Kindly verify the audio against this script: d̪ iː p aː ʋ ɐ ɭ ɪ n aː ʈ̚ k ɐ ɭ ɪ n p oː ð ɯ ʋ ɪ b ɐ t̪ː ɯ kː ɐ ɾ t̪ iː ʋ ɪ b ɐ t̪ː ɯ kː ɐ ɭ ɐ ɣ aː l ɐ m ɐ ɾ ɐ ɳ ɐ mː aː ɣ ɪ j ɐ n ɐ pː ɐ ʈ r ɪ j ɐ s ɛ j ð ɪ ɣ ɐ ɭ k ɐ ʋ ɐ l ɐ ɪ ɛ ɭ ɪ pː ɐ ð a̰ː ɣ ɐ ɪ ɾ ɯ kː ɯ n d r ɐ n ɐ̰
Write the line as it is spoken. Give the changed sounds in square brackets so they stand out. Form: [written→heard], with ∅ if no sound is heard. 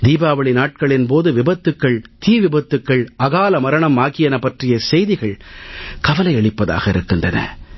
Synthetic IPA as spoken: d̪ iː [p→b] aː ʋ ɐ ɭ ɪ n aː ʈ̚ k ɐ ɭ ɪ n p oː ð ɯ ʋ ɪ b ɐ t̪ː ɯ kː ɐ [ɾ→ɭ] t̪ iː ʋ ɪ b ɐ t̪ː ɯ kː ɐ ɭ ɐ ɣ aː l ɐ m ɐ ɾ ɐ ɳ ɐ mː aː ɣ ɪ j ɐ n ɐ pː ɐ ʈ r ɪ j ɐ s ɛ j ð ɪ ɣ ɐ ɭ k ɐ ʋ ɐ l ɐ ɪ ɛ ɭ ɪ pː ɐ ð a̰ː ɣ ɐ ɪ ɾ ɯ kː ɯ n d r ɐ n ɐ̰